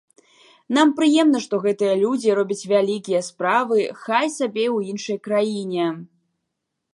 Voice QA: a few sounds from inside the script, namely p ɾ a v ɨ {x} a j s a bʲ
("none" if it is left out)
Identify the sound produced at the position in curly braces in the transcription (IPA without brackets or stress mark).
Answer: x